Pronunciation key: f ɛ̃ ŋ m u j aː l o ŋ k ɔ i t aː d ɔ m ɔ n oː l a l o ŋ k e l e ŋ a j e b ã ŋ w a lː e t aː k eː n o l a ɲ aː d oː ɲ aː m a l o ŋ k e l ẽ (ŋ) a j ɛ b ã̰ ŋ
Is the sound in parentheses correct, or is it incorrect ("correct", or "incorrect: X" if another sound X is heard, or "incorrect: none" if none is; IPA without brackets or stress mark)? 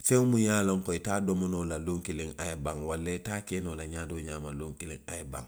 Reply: correct